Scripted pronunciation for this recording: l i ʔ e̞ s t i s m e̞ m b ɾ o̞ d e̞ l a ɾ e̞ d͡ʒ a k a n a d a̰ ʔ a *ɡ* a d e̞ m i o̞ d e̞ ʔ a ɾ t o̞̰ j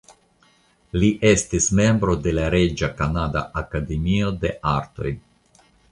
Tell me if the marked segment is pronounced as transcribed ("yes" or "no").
no